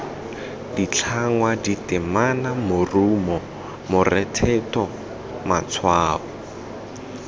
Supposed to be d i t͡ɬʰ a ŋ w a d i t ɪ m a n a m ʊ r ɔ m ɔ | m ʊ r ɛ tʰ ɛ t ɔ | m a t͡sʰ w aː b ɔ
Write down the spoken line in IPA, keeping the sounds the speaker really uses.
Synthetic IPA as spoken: d i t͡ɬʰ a ŋ w a d i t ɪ m a n a m ʊ r u m ɔ | m ʊ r ɛ tʰ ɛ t ɔ | m a t͡sʰ w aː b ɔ